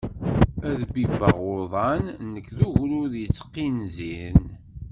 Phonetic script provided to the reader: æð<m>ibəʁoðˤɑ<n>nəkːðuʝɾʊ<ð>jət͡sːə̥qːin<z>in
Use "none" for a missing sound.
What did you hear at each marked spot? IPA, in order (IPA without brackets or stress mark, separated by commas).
b, n, ð, z